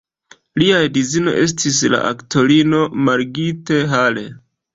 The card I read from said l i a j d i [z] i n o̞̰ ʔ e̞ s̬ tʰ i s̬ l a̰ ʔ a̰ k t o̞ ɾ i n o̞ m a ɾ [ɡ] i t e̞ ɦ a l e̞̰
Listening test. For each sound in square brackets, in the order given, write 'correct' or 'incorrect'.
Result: correct, correct

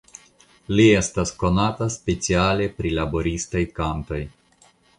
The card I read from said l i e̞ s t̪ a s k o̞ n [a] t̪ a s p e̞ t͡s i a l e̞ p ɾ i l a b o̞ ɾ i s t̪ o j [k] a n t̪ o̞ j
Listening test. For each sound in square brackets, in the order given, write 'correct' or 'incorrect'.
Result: correct, correct

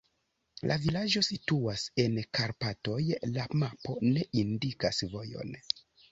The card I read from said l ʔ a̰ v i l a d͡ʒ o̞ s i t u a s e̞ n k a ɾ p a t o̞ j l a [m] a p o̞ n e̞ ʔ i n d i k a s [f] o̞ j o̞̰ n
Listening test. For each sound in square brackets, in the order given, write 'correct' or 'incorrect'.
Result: correct, incorrect: v

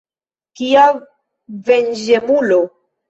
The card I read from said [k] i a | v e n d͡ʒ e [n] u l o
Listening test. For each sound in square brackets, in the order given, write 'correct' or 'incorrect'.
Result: correct, incorrect: m

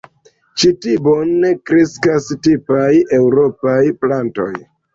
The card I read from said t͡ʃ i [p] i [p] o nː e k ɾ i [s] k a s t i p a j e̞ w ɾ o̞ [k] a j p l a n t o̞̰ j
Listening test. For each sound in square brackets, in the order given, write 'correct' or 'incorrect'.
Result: incorrect: t, incorrect: b, correct, incorrect: p

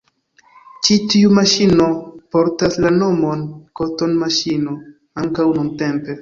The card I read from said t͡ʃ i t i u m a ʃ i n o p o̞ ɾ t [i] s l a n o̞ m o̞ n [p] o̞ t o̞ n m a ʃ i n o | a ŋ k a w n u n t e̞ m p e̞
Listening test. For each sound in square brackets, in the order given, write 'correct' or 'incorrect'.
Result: incorrect: a, incorrect: k

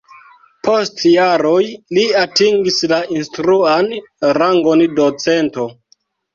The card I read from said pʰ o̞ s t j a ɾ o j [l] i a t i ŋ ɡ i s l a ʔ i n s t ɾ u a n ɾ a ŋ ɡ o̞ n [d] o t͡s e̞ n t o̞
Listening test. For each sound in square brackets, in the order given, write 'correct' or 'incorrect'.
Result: correct, correct

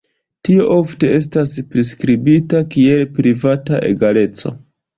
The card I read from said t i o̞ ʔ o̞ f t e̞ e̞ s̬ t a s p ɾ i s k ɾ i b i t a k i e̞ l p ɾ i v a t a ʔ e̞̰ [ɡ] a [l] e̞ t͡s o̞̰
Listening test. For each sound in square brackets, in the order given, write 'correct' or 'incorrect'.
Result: correct, correct

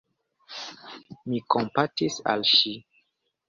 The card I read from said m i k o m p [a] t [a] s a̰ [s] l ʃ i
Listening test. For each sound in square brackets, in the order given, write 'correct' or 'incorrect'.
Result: correct, incorrect: i, incorrect: none

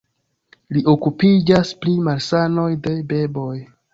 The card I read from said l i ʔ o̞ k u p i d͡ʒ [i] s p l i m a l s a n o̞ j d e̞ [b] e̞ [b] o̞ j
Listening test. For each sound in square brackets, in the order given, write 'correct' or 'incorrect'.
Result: incorrect: a, correct, correct

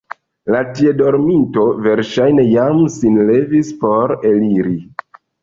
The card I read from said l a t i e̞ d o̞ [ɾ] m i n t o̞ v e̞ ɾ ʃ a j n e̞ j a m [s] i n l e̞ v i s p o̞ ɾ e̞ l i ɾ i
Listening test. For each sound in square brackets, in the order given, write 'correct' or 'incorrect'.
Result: correct, correct

